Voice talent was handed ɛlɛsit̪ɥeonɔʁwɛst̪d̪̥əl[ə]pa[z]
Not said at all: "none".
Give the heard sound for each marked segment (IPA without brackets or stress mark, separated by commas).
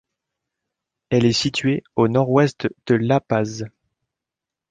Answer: a, z